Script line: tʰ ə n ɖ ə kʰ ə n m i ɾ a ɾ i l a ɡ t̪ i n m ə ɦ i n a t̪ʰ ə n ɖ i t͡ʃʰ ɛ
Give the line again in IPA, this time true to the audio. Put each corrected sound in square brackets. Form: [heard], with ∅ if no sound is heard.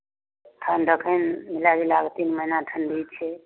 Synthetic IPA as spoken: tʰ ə n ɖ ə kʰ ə n m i [l] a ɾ i l a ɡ t̪ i n m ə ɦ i n a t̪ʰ ə n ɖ i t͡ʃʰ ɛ